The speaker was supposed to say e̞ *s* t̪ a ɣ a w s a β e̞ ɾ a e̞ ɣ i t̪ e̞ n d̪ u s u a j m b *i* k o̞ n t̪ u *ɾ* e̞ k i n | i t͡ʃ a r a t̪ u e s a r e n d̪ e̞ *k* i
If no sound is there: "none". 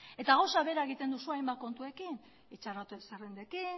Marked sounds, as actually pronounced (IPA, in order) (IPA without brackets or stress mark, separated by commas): none, a, none, k